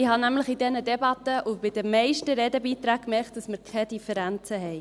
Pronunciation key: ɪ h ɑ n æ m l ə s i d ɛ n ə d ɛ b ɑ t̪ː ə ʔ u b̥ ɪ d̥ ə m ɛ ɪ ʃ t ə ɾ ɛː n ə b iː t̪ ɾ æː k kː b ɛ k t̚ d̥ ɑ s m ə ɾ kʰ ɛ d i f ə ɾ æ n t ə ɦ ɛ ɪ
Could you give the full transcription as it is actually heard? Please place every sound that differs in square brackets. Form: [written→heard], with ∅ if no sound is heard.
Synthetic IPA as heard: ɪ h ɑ n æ m l ə [s→χ] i d ɛ n ə d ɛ b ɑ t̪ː ə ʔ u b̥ ɪ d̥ ə m ɛ ɪ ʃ t ə ɾ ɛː [n→d] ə b iː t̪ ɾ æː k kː [b→m] ɛ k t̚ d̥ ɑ s m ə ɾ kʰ ɛ d i f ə ɾ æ n [t→t͡s] ə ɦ ɛ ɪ